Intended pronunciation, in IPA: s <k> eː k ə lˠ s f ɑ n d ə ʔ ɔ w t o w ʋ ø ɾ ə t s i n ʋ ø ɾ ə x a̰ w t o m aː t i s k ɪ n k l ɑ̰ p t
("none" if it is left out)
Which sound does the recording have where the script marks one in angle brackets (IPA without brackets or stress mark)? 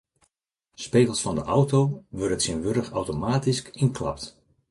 p